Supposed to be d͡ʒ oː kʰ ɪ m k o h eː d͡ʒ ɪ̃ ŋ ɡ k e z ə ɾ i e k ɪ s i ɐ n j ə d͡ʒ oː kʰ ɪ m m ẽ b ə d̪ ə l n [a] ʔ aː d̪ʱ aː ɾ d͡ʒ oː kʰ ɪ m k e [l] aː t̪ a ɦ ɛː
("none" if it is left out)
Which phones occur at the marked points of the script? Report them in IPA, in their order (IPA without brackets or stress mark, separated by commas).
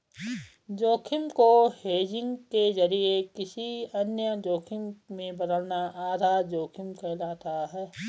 a, l